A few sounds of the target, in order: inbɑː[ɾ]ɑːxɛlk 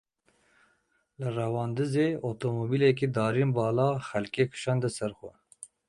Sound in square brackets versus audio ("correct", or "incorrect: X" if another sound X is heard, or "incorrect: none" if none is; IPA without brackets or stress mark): incorrect: l